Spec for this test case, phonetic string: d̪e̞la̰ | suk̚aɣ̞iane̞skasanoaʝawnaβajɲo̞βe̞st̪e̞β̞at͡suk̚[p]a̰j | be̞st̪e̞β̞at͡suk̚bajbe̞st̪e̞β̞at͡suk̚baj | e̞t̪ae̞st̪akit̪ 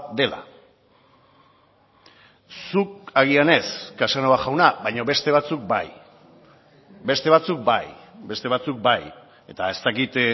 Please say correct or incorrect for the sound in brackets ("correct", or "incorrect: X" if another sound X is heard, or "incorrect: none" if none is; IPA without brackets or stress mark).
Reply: incorrect: b